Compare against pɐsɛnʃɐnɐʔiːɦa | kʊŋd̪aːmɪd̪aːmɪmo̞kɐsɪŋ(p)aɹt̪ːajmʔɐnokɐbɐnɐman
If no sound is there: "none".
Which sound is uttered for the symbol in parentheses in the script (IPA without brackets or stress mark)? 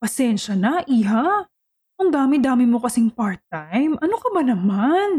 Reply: p